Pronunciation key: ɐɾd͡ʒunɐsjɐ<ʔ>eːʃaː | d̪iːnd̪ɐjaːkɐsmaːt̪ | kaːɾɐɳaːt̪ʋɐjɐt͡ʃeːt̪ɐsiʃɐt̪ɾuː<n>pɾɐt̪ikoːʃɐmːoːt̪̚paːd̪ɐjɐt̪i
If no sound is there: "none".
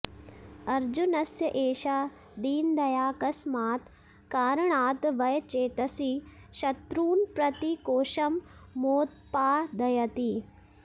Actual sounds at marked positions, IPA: ʔ, n

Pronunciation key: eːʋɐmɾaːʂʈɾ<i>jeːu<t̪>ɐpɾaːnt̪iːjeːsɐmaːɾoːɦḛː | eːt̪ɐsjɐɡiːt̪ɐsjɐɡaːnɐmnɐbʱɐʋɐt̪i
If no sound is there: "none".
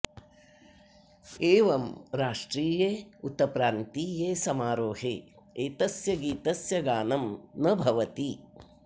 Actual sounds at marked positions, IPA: iː, t̪

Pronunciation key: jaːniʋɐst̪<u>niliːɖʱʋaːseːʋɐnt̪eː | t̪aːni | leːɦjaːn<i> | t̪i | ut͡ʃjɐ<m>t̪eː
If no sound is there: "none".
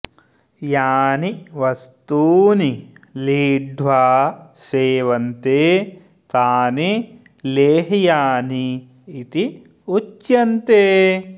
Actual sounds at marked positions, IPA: uː, iː, n

